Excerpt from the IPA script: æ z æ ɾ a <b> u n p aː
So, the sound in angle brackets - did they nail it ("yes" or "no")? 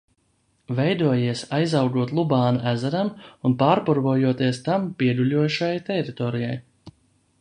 no